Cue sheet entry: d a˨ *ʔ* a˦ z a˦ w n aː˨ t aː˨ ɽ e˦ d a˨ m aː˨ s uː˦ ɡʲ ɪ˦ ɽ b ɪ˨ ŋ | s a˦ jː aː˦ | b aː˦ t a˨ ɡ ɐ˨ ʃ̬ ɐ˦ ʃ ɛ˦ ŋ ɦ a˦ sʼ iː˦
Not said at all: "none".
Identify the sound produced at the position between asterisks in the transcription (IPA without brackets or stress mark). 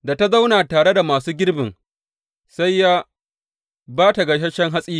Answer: t